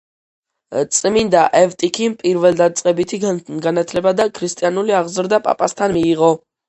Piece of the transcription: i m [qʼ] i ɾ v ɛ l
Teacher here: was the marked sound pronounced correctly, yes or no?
no